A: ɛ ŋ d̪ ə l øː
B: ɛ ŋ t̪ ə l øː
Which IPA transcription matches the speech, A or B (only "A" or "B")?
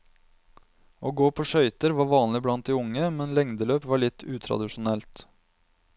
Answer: A